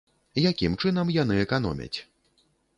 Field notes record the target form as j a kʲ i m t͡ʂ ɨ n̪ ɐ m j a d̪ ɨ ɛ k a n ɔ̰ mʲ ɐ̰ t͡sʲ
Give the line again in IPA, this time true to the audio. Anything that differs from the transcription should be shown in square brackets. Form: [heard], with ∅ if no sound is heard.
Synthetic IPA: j a kʲ i m t͡ʂ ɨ n̪ ɐ m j a [n̪] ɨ ɛ k a n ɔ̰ mʲ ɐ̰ t͡sʲ